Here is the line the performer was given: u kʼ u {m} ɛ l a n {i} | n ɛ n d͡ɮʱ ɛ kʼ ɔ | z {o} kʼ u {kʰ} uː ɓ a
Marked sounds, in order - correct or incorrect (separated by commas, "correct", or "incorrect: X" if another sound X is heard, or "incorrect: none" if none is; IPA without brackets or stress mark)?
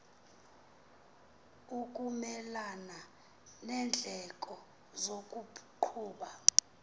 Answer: correct, incorrect: a, correct, incorrect: ǃʰ